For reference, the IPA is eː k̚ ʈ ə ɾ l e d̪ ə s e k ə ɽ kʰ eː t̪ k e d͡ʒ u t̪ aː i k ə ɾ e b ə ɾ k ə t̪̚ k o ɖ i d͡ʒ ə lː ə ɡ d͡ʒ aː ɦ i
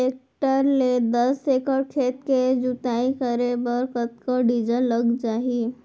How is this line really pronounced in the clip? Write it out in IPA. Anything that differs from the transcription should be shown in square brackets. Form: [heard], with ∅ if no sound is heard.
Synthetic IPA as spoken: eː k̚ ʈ ə ɾ l e d̪ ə s e k ə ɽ kʰ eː t̪ k e d͡ʒ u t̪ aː i k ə ɾ e b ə ɾ k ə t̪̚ k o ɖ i d͡ʒ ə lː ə ɡ d͡ʒ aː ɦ i